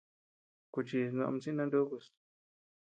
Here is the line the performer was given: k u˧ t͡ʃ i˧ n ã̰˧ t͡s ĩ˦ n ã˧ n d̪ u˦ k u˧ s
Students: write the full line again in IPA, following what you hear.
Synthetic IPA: k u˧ t͡ʃ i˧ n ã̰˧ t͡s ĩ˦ n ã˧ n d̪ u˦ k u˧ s